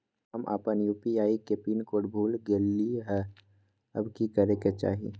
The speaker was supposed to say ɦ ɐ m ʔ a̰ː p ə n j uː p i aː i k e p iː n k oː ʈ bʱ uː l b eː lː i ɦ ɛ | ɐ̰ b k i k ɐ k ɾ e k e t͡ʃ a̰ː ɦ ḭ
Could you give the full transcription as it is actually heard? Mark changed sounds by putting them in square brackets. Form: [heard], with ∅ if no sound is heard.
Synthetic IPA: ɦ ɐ m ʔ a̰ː p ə n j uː p i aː i k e p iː n k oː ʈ bʱ uː l [ɡ] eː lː i ɦ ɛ | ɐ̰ b k i k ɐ [∅] ɾ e k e t͡ʃ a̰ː ɦ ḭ